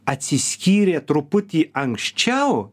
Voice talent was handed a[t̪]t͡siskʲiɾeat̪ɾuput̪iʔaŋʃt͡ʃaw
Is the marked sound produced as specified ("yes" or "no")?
no